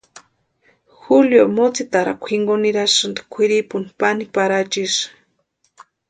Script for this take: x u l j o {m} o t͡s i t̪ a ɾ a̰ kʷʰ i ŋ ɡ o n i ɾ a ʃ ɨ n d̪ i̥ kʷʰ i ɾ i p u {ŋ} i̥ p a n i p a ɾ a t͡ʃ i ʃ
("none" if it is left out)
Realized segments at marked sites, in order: m, n

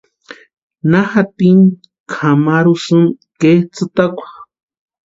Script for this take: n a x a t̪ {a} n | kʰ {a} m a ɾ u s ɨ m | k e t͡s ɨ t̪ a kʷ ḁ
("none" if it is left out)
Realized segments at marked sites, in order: i, a

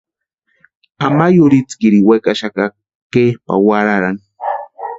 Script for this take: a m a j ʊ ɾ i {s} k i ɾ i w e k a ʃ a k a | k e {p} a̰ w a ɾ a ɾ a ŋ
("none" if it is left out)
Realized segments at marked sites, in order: t͡s, p

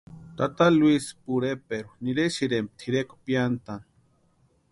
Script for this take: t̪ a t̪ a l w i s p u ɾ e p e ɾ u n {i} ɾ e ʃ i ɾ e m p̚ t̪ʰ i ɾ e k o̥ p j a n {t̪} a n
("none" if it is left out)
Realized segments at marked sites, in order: i, t̪

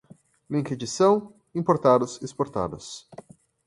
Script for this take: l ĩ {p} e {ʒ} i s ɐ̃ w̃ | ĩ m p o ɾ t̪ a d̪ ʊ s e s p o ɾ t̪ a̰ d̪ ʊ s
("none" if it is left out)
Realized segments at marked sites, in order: k, d͡ʒ

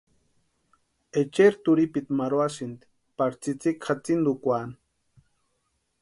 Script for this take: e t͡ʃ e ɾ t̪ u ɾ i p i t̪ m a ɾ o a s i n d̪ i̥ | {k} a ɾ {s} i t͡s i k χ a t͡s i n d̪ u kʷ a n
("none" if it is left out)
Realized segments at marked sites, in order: p, t͡s

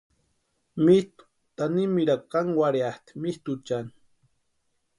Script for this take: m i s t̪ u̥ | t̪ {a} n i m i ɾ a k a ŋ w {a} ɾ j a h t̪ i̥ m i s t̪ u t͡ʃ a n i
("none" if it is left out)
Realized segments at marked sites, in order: a, a

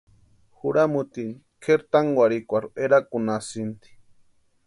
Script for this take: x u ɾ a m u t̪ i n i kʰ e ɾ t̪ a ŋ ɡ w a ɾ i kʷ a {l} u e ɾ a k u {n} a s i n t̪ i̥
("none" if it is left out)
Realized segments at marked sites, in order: ɾ, n

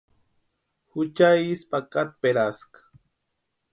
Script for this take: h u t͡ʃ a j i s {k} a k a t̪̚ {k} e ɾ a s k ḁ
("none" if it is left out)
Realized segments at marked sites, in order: p, p

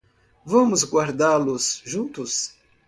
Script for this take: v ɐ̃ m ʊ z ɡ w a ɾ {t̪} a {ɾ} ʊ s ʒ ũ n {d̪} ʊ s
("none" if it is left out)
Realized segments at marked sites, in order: d̪, l, t̪

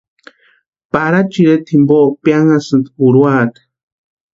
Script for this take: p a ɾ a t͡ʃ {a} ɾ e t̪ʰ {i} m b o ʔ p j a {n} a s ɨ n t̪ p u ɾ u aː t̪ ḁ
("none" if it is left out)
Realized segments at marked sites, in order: i, i, ŋ

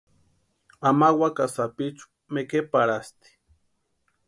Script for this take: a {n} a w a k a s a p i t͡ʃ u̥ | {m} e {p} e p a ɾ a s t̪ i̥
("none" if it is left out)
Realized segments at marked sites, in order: m, m, k

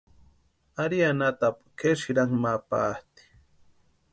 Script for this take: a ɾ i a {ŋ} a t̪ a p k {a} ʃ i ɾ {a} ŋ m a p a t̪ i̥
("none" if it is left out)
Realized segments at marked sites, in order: n, e, a

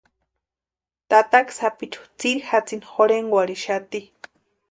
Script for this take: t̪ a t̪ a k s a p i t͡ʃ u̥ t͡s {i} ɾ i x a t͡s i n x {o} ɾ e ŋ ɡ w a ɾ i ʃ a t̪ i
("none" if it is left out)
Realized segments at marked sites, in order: i, o

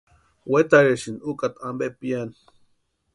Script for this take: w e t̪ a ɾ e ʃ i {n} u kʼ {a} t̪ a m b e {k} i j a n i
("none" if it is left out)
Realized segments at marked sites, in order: n, a, p

